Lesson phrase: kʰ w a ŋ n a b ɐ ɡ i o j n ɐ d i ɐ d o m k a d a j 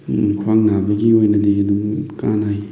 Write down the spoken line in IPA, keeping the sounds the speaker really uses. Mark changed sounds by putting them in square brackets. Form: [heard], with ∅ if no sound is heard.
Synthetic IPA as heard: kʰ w a ŋ n a b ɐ ɡ i o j n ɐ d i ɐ d [u] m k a [n] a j